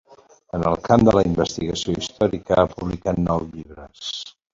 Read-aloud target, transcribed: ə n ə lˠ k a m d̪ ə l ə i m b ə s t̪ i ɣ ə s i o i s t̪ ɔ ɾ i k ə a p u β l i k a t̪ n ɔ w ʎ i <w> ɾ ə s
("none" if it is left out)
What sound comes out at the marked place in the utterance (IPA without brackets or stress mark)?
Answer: β